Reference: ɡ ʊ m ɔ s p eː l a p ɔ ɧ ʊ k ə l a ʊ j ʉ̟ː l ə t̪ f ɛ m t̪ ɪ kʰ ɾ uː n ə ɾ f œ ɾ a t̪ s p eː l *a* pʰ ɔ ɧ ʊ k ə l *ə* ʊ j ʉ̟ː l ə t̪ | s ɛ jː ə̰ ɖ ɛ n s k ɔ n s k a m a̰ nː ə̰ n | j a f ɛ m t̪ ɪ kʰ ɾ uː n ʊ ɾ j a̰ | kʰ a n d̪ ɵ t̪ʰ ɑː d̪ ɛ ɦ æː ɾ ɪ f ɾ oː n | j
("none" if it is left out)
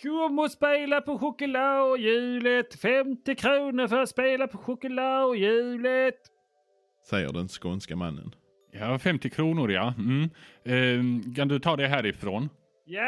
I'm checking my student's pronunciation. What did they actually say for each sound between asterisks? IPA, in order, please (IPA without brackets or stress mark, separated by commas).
a, a